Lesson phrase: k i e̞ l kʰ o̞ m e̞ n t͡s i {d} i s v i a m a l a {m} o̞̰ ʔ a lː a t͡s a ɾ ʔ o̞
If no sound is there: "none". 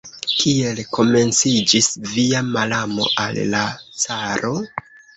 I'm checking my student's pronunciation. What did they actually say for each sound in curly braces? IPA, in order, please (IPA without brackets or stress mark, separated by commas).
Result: d͡ʒ, m